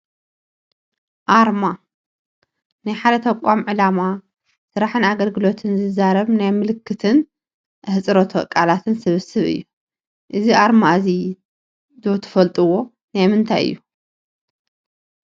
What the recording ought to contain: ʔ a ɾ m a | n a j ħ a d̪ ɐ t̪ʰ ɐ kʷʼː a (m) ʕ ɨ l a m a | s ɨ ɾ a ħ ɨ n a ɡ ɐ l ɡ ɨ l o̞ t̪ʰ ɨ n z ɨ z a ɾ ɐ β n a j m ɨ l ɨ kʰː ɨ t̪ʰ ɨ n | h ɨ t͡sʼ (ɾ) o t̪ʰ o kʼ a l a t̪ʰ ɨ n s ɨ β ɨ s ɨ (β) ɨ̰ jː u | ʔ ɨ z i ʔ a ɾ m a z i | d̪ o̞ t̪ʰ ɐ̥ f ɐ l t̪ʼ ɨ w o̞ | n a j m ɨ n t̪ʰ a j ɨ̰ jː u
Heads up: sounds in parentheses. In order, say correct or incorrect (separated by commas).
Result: correct, correct, correct